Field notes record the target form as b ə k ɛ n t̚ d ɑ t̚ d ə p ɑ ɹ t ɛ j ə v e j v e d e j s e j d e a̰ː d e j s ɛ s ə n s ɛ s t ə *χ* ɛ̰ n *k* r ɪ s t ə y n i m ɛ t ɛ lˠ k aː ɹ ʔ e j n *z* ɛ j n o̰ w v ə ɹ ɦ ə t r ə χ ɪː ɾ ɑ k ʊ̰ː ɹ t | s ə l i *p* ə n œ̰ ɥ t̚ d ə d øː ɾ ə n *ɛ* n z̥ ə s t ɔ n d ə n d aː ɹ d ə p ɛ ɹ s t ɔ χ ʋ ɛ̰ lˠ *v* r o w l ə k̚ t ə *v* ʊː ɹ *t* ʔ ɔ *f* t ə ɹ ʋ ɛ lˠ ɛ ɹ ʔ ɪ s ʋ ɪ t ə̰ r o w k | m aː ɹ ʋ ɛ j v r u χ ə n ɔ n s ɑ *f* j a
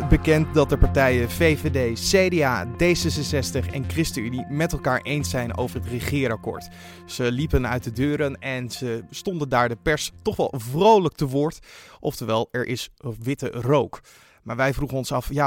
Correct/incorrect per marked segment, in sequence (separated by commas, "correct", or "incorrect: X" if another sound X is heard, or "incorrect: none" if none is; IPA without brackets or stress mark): correct, correct, incorrect: s, correct, correct, correct, incorrect: ʋ, correct, correct, correct